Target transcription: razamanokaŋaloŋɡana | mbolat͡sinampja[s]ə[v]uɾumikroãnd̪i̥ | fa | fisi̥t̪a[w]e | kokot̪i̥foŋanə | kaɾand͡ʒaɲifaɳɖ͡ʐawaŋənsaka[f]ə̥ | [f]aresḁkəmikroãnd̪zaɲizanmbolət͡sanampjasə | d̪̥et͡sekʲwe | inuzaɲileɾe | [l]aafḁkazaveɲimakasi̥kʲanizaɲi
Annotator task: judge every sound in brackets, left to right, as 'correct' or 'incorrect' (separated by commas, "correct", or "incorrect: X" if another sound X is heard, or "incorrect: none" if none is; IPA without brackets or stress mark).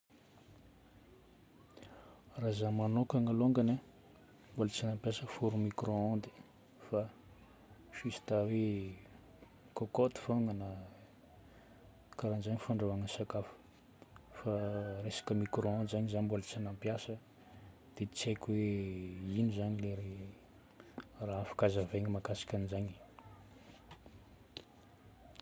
correct, incorrect: f, correct, correct, correct, incorrect: r